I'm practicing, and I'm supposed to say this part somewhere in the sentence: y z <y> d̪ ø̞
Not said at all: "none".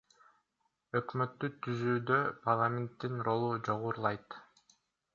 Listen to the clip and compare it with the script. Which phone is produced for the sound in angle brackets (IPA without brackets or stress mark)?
yː